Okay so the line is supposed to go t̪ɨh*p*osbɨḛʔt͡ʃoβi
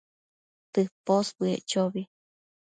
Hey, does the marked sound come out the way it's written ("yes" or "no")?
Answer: yes